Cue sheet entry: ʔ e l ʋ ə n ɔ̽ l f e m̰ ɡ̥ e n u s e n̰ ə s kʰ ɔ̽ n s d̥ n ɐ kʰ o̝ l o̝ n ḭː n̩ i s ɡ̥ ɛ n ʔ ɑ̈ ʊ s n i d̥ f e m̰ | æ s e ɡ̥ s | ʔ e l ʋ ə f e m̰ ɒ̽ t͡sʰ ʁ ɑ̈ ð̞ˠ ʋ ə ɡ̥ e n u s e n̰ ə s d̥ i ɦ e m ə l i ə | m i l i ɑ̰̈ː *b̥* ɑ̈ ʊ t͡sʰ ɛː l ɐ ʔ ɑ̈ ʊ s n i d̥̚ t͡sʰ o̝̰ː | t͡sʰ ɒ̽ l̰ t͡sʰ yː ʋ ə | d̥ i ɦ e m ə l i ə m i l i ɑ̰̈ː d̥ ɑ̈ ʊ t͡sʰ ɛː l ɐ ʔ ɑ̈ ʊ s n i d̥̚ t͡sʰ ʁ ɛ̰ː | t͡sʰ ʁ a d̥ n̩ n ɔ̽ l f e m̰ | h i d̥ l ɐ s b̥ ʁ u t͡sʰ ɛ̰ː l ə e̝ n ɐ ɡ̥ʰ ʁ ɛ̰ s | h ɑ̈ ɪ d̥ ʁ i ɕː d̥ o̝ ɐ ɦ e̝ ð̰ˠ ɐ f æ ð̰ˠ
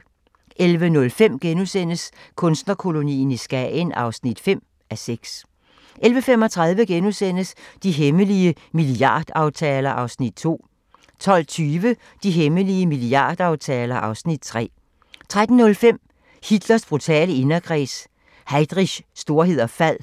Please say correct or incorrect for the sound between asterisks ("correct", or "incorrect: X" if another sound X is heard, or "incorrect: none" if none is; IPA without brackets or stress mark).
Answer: incorrect: d̥